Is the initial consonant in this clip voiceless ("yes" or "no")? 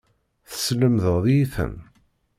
yes